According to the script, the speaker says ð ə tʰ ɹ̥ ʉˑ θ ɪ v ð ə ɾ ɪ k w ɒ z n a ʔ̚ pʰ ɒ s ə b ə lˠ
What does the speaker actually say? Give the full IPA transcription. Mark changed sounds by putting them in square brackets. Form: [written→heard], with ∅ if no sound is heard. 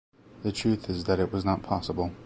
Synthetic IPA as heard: ð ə tʰ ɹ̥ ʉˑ θ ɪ [v→z] ð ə ɾ ɪ [k→ʔ] w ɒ z n [a→ə] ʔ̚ pʰ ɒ s ə b ə lˠ